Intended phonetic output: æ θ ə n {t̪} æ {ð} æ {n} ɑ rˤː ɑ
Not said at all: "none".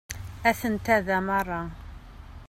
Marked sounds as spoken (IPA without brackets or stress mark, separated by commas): t̪, ð, m